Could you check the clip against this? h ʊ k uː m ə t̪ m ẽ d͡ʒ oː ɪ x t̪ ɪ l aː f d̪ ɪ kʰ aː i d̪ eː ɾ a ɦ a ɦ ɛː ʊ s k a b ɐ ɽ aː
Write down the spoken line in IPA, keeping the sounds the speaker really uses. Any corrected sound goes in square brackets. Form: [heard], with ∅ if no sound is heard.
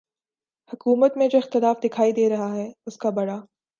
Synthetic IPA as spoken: h ʊ k uː m ə t̪ m ẽ d͡ʒ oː ɪ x t̪ ɪ l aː f d̪ ɪ kʰ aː i d̪ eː ɾ [ɐ] ɦ a ɦ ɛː ʊ s k a b ɐ ɽ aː